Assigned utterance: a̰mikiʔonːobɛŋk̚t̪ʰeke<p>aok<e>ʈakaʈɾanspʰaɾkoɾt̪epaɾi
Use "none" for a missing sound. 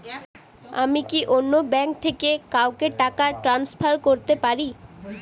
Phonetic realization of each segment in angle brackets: k, e

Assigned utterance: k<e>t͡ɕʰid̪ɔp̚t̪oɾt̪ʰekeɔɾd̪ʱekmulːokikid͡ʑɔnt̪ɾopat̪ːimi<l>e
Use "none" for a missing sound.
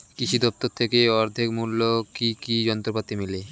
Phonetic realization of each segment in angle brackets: i, l

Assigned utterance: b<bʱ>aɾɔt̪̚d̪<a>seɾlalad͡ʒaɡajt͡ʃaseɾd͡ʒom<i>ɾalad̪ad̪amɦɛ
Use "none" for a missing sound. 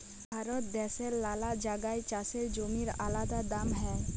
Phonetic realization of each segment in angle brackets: bʱ, ɛ, i

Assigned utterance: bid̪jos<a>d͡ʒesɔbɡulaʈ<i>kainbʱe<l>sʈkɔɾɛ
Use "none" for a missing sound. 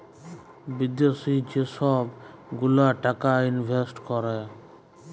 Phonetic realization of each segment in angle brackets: i, a, none

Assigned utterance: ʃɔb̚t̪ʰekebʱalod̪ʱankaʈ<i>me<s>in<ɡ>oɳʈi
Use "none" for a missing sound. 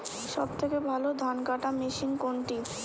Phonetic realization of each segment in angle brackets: a, ʃ, k

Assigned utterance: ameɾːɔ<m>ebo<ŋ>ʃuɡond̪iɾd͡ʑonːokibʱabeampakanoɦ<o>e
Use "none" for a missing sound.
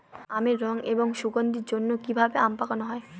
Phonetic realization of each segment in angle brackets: ŋ, ŋ, ɔ

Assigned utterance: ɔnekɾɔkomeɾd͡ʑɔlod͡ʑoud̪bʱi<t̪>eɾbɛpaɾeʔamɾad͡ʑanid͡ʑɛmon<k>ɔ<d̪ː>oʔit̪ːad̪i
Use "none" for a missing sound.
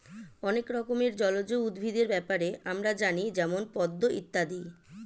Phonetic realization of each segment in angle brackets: d̪, p, d̪ː

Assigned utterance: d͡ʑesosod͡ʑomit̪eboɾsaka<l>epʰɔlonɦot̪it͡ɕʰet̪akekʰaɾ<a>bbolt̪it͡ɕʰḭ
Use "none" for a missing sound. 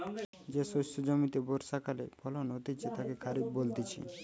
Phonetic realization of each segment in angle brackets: l, i

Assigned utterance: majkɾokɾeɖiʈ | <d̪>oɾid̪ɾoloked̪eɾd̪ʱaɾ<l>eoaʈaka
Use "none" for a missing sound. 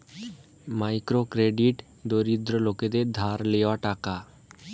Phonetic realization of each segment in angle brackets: d̪, l

